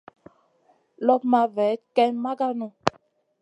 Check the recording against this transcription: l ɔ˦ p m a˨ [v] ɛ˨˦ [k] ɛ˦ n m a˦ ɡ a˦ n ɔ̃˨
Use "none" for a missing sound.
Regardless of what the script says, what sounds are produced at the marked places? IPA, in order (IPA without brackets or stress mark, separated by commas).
v, k